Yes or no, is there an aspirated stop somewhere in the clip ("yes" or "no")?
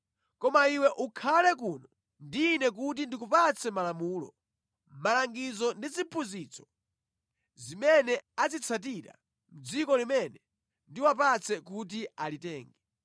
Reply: yes